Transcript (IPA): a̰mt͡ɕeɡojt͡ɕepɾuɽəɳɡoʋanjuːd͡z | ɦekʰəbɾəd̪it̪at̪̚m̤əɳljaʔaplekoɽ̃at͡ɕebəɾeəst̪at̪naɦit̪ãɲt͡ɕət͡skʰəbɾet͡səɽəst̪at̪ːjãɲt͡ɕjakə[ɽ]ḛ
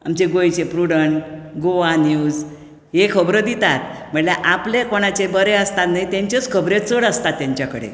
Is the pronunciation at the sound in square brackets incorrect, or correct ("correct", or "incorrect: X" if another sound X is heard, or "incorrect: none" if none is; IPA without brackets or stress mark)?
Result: correct